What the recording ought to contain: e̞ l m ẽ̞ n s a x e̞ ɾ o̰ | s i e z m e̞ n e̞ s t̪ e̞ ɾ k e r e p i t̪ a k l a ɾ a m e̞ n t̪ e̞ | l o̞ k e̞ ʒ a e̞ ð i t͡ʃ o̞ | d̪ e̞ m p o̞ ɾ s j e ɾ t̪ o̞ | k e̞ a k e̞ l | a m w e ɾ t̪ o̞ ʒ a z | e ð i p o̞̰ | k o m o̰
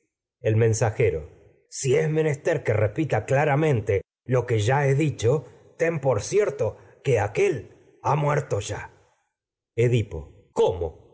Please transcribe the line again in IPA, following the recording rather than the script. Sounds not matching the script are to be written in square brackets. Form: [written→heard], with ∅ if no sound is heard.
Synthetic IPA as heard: e̞ l m ẽ̞ n s a x e̞ ɾ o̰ | s i e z m e̞ n e̞ s t̪ e̞ ɾ k e r e p i t̪ a k l a ɾ a m [e̞→ẽ̞] n t̪ e̞ | l o̞ k e̞ ʒ a e̞ ð i t͡ʃ o̞ | [d̪→t̪] e̞ m p o̞ ɾ s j e ɾ t̪ o̞ | k e̞ a k e̞ l | a m w e ɾ t̪ o̞ ʒ a [z→∅] | e ð i p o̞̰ | k o m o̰

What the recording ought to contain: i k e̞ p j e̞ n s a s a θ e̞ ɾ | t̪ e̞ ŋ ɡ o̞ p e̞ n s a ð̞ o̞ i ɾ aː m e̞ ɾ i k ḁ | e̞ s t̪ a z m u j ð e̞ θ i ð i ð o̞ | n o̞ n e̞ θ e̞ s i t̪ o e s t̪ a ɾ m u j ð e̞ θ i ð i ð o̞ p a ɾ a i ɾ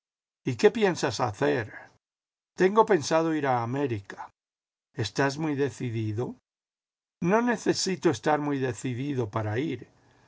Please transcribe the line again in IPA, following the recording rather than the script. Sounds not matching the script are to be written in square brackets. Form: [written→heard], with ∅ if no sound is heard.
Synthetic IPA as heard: i k e̞ p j e̞ n s a s a θ e̞ ɾ | t̪ e̞ ŋ ɡ o̞ p e̞ n s a ð̞ o̞ i ɾ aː m e̞ ɾ i k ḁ | e̞ s t̪ a z m u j ð e̞ θ i ð i ð o̞ | n o̞ n e̞ θ e̞ s i t̪ o e s t̪ a ɾ m u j ð e̞ θ i ð i ð o̞ p a ɾ a i ɾ

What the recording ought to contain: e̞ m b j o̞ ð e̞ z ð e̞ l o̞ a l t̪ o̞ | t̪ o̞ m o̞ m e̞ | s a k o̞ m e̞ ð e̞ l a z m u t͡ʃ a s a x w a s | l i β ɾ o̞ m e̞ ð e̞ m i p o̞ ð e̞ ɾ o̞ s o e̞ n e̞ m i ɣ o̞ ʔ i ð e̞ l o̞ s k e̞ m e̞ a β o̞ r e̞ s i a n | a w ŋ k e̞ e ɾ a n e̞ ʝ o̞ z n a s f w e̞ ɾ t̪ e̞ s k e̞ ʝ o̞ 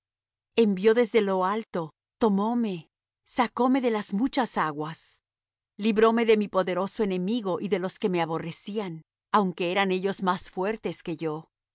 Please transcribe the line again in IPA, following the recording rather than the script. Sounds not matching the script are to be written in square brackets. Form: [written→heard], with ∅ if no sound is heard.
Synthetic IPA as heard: e̞ m b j o̞ ð e̞ z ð e̞ l o̞ a l t̪ o̞ | t̪ o̞ m o̞ m e̞ | s a k o̞ m e̞ ð e̞ l a z m u t͡ʃ a s a [x→ɣ] w a s | l i β ɾ o̞ m e̞ ð e̞ m i p o̞ ð e̞ ɾ o̞ s o e̞ n e̞ m i ɣ o̞ ʔ i ð e̞ l o̞ s k e̞ m e̞ a β o̞ r e̞ s i a n | a w ŋ k e̞ e ɾ a n e̞ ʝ o̞ z [n→m] a s f w e̞ ɾ t̪ e̞ s k e̞ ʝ o̞

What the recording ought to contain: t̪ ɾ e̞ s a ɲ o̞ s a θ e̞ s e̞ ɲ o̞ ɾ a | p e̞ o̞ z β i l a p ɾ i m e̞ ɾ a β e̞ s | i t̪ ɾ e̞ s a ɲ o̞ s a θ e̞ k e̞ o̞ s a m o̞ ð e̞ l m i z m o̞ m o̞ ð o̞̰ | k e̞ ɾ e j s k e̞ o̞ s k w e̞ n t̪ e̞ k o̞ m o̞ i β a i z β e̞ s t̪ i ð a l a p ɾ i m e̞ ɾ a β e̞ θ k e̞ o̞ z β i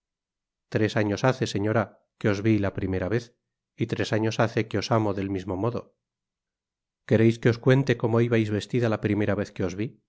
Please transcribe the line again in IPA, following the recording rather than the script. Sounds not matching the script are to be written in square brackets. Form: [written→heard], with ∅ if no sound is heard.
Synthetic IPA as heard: t̪ ɾ e̞ s a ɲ o̞ s a θ e̞ s e̞ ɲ o̞ ɾ a | [p→k] e̞ o̞ z β i l a p ɾ i m e̞ ɾ a β e̞ [s→θ] | i t̪ ɾ e̞ s a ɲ o̞ s a θ e̞ k e̞ o̞ s a m o̞ ð e̞ l m i z m o̞ m o̞ ð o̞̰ | k e̞ ɾ e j s k e̞ o̞ s k w e̞ n t̪ e̞ k o̞ m o̞ i β a [i→j] z β e̞ s t̪ i ð a l a p ɾ i m e̞ ɾ a β e̞ θ k e̞ o̞ z β i

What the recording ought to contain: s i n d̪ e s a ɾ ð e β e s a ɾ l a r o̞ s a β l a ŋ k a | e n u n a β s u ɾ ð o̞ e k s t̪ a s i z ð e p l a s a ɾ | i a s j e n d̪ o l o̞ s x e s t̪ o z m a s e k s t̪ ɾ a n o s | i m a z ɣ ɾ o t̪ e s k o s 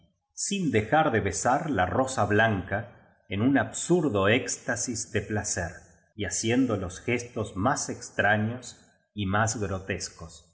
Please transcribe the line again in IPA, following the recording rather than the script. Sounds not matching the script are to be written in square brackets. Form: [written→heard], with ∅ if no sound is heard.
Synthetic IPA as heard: s i n d̪ e [s→x] a ɾ ð e β e s a ɾ l a r o̞ s a β l a ŋ k a | e n u n a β s u ɾ ð o̞ e k s t̪ a s i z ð e p l a s [a→e] ɾ | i a s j e n d̪ o l o̞ s x e s t̪ o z m a s e k s t̪ ɾ a [n→ɲ] o s | i m a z ɣ ɾ o t̪ e s k o s

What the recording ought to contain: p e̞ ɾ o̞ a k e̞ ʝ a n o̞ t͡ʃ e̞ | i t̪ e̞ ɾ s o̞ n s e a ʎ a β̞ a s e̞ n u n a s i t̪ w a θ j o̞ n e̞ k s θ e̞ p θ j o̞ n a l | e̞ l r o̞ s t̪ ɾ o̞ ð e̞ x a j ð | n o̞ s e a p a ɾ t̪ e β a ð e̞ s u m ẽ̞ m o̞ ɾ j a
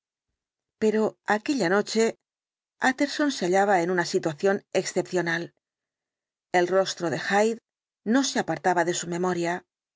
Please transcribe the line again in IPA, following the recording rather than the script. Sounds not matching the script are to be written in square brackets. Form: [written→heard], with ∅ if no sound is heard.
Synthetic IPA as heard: p e̞ ɾ o̞ a k e̞ [ʝ→ʎ] a n o̞ t͡ʃ e̞ | [i→a] t̪ e̞ ɾ s o̞ n s e a ʎ a β̞ a [s→∅] e̞ n u n a s i t̪ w a θ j o̞ n e̞ k s θ e̞ p θ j o̞ n a l | e̞ l r o̞ s t̪ ɾ o̞ ð e̞ x a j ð | n o̞ s e a p a ɾ t̪ [e→a] β a ð e̞ s u m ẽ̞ m o̞ ɾ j a

